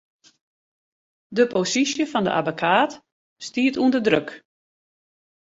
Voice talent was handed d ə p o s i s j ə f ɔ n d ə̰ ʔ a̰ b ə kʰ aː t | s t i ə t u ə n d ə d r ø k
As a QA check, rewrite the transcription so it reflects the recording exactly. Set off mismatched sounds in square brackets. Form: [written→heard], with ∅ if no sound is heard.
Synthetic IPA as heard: d ə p o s i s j ə f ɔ n d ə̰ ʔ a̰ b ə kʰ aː t | s t i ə t u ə n d ə d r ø k